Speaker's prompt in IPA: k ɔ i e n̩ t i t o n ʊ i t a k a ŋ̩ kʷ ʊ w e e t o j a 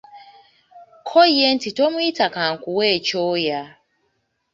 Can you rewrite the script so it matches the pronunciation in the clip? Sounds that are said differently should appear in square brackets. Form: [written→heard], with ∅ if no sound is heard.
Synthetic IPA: [k→kʰ] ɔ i e n̩ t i t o [n→m] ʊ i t a k a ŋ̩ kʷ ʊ w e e [t→t͡ʃ] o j a